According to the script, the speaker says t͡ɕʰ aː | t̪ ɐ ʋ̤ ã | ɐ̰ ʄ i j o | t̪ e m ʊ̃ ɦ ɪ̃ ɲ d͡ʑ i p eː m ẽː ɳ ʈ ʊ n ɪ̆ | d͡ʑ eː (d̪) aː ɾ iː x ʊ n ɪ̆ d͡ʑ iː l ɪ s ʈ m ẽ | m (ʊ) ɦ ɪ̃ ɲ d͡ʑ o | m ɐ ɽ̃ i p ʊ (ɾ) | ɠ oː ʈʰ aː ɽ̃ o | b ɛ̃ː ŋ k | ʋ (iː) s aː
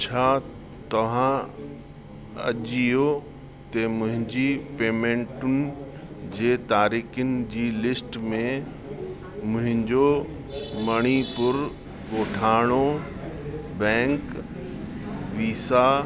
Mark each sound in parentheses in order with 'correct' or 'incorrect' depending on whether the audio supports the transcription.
incorrect: t̪, incorrect: ʊ̃, correct, correct

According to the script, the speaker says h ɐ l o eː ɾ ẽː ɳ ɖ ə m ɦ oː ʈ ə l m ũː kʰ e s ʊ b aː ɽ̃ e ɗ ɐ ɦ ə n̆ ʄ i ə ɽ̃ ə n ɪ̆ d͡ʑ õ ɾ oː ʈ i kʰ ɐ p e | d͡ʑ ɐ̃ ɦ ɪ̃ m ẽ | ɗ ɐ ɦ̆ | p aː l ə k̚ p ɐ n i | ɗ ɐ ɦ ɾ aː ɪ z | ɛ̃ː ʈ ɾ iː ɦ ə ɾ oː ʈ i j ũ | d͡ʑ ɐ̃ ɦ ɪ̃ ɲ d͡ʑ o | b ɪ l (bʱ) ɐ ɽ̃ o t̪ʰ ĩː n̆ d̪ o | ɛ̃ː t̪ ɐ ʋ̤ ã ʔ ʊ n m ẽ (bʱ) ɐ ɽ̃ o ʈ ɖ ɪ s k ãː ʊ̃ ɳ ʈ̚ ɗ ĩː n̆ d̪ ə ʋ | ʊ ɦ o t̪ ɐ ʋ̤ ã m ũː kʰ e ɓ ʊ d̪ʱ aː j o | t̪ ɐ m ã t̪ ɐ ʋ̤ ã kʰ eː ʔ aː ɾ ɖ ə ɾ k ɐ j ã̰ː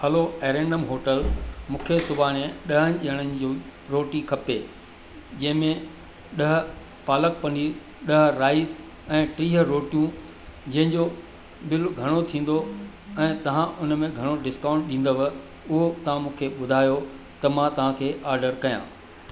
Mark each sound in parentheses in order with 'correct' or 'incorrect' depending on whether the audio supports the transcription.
incorrect: ɡʱ, incorrect: ɡʱ

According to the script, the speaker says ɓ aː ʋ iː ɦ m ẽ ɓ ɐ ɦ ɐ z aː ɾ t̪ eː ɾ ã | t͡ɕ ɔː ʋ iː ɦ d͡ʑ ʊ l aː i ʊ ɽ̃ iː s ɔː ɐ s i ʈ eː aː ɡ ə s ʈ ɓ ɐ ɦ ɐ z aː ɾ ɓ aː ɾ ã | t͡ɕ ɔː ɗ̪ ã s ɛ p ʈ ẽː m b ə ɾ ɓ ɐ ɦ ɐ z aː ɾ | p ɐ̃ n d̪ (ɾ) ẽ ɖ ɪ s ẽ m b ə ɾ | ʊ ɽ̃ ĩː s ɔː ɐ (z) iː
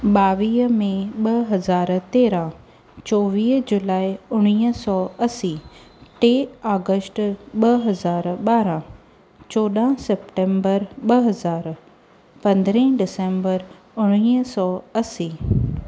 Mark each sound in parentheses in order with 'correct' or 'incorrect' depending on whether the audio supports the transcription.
correct, incorrect: s

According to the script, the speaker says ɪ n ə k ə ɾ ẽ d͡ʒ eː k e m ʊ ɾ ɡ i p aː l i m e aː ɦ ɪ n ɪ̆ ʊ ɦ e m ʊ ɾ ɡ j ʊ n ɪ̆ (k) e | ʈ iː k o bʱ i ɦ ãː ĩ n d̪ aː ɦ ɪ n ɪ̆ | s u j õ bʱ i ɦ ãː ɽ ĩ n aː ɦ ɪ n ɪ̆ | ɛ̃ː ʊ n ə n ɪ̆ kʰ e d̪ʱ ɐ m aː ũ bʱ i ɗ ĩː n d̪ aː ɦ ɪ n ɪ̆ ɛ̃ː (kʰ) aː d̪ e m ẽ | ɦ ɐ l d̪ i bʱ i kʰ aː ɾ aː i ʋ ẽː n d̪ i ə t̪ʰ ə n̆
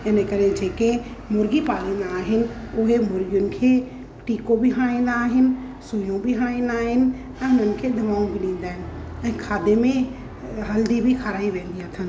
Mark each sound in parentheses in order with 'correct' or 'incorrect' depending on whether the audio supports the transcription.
incorrect: kʰ, correct

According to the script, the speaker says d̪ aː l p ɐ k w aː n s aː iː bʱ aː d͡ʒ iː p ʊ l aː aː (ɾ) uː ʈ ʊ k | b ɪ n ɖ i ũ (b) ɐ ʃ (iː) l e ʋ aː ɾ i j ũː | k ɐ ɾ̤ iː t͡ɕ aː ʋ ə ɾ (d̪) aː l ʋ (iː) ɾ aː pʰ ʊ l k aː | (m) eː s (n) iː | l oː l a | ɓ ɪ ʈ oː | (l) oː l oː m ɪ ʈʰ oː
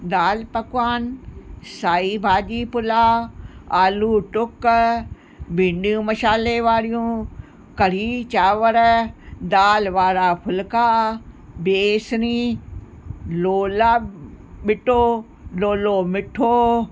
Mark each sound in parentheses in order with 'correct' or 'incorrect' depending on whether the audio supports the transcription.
incorrect: l, incorrect: m, incorrect: aː, correct, incorrect: aː, incorrect: b, correct, correct

